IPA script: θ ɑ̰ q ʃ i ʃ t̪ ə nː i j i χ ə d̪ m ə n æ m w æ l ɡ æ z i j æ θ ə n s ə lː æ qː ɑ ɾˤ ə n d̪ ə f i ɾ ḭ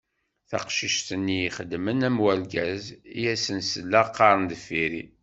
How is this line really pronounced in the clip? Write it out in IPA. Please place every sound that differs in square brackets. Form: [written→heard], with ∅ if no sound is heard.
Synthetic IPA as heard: θ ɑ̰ q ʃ i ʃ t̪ ə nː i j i χ ə d̪ m ə n æ m w æ l ɡ æ z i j æ [θ→s] ə n s ə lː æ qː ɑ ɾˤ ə n d̪ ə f i ɾ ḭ